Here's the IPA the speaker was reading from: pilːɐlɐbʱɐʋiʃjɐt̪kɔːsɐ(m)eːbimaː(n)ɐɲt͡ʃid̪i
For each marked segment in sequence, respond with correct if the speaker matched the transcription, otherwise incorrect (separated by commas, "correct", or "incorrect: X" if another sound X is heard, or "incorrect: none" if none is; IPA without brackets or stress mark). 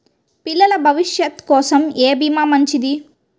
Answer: correct, incorrect: m